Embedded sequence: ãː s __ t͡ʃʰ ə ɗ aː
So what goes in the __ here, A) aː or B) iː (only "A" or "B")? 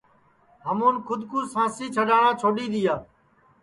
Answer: B